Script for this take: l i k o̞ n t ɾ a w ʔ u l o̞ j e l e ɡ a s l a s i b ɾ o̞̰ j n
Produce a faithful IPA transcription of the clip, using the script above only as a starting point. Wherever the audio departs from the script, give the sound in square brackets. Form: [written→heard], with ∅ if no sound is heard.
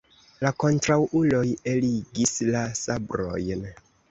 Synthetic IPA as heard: l [i→a] k o̞ n t ɾ a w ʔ u l o̞ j e l [e→i] ɡ [a→i] s l a s [i→a] b ɾ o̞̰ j n